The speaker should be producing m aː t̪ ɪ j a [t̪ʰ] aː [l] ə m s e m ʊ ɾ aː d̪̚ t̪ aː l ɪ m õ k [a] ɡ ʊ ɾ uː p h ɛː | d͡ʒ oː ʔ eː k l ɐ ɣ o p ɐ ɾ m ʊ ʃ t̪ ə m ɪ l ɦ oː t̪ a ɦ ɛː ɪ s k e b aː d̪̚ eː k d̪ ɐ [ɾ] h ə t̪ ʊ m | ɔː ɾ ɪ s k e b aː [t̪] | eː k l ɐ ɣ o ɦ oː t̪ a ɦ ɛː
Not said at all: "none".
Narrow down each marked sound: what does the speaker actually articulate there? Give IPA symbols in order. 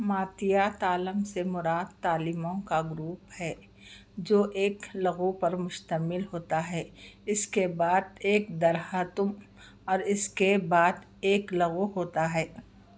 t̪, l, a, ɾ, d̪

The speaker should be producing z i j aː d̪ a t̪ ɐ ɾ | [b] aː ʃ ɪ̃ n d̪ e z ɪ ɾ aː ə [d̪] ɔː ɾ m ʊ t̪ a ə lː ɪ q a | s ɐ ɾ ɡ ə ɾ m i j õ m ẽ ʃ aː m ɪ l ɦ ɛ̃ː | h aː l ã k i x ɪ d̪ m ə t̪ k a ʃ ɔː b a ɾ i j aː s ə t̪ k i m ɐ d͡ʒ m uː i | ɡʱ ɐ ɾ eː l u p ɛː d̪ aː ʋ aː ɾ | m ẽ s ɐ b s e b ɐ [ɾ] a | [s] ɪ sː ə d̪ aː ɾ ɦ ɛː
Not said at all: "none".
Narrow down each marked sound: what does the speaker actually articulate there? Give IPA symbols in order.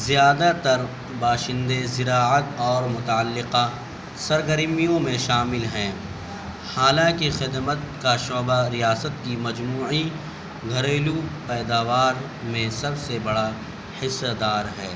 b, t̪, ɽ, h

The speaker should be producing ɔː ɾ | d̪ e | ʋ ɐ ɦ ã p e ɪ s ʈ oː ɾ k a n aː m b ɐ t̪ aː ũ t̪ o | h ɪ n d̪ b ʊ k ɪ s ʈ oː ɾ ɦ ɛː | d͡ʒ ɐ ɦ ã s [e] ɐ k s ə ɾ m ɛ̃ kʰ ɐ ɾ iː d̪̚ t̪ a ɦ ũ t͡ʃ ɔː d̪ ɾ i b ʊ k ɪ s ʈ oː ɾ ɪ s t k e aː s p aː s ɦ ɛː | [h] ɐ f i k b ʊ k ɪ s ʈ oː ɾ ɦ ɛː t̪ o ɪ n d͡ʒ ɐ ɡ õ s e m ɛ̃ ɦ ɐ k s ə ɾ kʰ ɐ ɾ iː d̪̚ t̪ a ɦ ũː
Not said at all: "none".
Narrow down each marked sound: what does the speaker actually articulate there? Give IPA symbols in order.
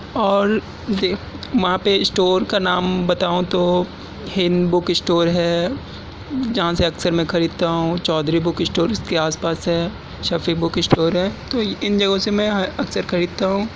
e, ʃ

